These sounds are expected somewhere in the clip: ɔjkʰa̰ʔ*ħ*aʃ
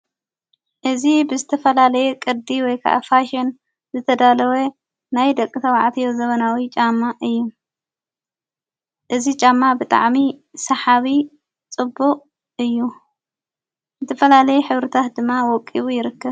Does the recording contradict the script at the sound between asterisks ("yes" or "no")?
yes